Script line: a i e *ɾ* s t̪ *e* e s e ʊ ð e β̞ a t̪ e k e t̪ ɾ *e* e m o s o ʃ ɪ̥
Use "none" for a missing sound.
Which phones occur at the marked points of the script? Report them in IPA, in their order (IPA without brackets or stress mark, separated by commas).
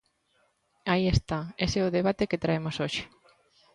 none, a, a